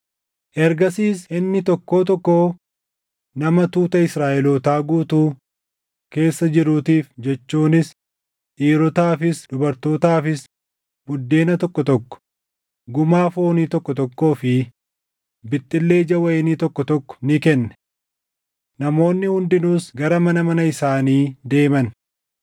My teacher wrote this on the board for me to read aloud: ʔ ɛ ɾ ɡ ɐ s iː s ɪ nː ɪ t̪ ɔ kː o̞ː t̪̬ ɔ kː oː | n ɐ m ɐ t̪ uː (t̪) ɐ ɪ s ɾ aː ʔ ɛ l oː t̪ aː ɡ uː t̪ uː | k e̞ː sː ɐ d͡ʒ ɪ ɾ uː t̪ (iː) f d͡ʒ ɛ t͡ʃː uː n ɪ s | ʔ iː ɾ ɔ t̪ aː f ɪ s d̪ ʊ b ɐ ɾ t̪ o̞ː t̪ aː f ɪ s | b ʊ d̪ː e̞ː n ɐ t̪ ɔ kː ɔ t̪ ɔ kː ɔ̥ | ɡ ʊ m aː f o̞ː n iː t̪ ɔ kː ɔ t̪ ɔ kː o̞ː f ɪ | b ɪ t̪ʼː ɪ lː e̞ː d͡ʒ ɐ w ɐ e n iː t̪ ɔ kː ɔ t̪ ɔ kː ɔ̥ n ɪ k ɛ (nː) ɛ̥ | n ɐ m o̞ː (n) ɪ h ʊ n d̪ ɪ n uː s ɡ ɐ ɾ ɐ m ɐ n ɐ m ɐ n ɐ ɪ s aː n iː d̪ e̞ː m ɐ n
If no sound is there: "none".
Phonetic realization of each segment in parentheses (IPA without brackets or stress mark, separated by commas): t̪, iː, nː, nː